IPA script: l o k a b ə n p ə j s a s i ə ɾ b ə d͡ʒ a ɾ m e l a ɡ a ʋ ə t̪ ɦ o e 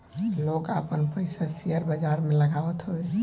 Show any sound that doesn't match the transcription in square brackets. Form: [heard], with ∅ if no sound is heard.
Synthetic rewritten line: l o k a [p] ə n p ə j s a s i ə ɾ b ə d͡ʒ a ɾ m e l [ə] ɡ a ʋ ə t̪ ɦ o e